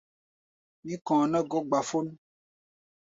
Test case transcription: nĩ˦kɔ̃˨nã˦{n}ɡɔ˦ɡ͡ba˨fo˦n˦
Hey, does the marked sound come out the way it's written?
no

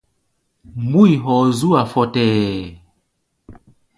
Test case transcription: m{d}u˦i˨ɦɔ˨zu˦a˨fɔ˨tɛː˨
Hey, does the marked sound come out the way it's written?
no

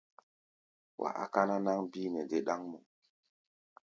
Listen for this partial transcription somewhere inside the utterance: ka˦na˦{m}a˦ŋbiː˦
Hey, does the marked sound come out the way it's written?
no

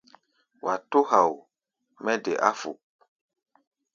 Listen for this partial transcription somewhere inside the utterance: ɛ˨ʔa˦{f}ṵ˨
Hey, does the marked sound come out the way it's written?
yes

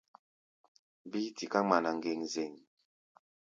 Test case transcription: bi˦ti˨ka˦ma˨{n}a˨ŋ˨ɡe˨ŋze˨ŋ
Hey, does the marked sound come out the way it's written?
yes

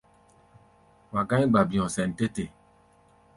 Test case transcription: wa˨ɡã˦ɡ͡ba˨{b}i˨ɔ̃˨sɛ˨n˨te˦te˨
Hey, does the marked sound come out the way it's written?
yes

